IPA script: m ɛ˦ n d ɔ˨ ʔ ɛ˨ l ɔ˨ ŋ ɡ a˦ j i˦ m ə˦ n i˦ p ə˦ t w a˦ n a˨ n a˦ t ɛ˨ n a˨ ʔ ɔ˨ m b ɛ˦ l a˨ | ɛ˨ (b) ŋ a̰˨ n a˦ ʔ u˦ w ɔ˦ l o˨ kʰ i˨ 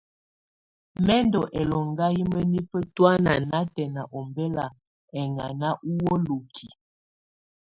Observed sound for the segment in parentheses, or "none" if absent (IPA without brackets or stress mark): none